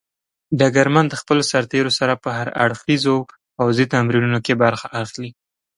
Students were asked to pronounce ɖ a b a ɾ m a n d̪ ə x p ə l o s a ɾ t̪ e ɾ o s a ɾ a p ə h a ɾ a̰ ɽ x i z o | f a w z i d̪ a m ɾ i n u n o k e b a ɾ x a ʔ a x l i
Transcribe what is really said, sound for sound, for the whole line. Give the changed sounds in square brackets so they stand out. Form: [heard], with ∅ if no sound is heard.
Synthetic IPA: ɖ a [ɡ] a ɾ m a n d̪ ə x p ə l o s a ɾ t̪ e ɾ o s a ɾ a p ə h a ɾ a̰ ɽ x i z o | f a w z i [t̪] a m ɾ i n u n o k e b a ɾ x a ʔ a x l i

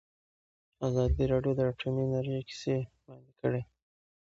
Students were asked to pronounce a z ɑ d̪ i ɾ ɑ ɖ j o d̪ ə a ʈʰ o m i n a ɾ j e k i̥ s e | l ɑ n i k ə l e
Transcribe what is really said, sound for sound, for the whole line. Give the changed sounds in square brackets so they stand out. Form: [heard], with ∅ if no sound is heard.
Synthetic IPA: a z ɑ d̪ i ɾ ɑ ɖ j o d̪ ə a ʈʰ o m i n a ɾ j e k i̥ s e | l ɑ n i k ə [ɽ] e

